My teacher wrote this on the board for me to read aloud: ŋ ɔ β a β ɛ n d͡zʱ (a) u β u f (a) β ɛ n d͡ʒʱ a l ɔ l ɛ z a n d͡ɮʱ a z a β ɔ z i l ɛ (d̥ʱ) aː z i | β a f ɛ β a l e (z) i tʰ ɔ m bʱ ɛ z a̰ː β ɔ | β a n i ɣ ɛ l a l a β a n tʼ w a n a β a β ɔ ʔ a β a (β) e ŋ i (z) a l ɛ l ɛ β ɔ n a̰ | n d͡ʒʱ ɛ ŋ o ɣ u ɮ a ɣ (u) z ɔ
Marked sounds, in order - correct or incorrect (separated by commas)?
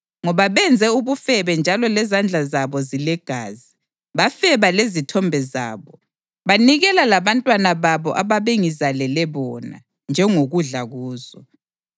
incorrect, incorrect, incorrect, correct, correct, correct, incorrect